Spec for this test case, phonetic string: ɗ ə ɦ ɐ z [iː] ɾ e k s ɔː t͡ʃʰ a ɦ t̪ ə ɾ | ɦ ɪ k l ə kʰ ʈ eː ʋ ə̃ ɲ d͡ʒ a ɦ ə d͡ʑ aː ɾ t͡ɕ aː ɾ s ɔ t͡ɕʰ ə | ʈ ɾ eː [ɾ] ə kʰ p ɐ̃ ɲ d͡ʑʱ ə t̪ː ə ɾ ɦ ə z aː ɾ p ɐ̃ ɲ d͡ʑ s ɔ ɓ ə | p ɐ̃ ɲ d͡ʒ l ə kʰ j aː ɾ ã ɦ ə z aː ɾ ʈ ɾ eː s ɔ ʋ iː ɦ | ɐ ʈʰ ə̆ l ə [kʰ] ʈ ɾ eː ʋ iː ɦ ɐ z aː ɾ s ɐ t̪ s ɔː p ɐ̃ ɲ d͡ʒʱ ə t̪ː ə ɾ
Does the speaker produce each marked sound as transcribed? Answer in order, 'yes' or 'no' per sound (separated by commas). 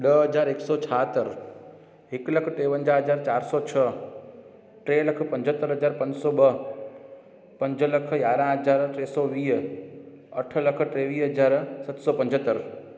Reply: no, no, yes